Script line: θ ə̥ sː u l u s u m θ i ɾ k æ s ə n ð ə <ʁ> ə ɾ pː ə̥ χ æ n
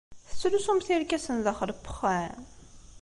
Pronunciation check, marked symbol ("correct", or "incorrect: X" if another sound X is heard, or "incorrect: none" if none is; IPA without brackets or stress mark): incorrect: χ